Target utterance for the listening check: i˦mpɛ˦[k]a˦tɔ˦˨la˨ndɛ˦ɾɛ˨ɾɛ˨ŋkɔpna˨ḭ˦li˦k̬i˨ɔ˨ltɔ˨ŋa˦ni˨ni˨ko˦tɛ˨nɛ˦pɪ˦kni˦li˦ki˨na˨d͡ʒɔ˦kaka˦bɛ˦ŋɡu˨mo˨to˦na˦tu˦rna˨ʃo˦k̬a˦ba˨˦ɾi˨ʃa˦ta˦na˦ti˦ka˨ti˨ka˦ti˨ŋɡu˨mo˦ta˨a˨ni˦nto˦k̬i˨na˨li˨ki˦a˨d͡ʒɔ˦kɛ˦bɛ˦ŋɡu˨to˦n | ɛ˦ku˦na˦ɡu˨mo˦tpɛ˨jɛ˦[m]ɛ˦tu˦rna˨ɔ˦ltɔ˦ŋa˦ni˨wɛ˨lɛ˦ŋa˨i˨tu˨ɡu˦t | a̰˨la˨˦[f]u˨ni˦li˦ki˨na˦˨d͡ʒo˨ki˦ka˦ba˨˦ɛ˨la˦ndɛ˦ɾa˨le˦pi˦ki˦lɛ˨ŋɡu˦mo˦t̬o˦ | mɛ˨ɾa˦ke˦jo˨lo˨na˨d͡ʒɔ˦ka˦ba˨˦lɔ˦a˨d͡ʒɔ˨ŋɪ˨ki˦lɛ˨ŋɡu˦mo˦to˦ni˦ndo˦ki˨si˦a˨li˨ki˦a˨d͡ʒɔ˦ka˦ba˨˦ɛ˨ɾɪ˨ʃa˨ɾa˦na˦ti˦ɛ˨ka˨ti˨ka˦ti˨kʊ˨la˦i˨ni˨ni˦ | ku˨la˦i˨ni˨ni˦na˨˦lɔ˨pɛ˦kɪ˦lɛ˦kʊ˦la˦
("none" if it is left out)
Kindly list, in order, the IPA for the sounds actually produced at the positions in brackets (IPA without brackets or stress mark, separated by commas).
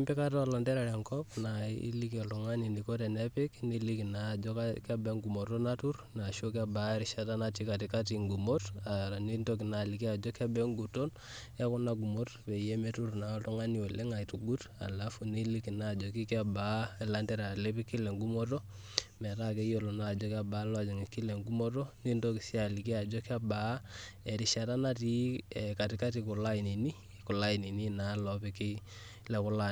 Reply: k, m, f